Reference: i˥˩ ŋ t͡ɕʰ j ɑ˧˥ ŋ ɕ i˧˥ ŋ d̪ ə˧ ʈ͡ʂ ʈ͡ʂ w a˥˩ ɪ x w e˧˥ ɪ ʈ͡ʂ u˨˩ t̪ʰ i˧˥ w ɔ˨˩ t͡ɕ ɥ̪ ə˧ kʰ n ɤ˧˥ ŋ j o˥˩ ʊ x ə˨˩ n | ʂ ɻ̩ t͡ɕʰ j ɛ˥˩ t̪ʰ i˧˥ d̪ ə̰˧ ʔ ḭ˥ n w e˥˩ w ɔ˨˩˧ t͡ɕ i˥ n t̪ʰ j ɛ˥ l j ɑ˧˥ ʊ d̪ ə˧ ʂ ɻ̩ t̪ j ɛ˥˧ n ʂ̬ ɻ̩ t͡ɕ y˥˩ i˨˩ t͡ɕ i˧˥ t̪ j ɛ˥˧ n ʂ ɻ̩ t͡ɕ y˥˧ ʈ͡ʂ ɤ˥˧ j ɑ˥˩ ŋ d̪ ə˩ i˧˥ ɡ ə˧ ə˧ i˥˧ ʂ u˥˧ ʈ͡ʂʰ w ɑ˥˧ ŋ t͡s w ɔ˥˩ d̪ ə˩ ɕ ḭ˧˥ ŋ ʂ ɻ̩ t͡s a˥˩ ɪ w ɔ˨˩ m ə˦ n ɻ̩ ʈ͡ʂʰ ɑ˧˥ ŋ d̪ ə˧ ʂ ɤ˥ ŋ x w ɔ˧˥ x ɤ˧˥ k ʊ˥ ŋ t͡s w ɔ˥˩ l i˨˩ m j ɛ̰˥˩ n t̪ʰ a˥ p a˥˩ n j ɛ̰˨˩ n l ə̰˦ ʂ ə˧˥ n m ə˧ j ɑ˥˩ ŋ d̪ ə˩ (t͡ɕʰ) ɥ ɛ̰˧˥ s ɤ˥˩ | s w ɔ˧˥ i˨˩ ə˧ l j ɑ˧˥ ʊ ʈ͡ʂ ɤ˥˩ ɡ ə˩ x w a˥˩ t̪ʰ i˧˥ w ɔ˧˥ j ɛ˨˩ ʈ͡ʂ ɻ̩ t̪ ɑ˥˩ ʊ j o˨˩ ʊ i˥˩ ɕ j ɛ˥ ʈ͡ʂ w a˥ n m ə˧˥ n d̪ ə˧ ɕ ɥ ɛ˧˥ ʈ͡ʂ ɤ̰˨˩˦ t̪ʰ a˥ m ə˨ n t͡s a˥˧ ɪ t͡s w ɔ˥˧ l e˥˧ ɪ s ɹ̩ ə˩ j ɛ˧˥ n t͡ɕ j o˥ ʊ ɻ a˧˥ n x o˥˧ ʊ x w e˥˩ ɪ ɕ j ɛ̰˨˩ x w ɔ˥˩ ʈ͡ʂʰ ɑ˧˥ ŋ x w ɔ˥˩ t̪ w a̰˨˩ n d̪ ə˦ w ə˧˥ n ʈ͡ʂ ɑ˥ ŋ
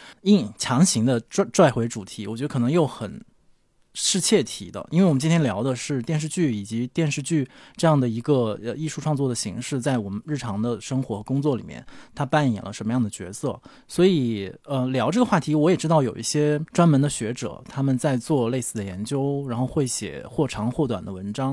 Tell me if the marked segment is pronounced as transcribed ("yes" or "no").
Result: no